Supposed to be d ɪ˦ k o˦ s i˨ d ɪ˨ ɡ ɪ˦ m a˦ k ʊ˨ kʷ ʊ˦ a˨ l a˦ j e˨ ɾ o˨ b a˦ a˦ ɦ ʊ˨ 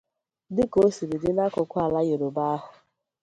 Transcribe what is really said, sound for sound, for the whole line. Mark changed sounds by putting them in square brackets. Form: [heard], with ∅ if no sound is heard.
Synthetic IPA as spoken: d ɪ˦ k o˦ s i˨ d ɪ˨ [d] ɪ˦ [n] a˦ k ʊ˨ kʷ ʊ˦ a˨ l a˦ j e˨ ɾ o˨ b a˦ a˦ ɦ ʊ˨